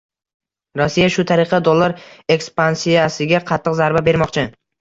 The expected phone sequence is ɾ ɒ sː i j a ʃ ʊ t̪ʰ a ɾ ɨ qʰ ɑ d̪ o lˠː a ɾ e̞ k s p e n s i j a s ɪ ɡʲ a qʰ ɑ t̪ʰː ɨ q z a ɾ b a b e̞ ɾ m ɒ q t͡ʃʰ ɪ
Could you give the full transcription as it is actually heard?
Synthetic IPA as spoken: ɾ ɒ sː i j a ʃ ʊ t̪ʰ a ɾ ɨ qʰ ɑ d̪ o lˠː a ɾ e̞ k s p a n s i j a s ɪ ɡʲ a qʰ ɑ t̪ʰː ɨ q z a ɾ b a b e̞ ɾ m ɒ q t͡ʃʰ ɪ